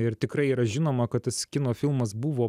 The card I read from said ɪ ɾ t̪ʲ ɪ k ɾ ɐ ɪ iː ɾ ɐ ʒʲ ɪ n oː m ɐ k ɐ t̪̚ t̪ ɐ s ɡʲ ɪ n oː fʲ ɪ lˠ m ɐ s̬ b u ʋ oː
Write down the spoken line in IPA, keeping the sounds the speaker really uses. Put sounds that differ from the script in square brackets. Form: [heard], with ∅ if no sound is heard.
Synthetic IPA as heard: ɪ ɾ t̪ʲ ɪ k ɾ ɐ ɪ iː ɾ ɐ ʒʲ ɪ n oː m ɐ k ɐ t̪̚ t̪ ɐ s [kʲ] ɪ n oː fʲ ɪ lˠ m ɐ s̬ b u ʋ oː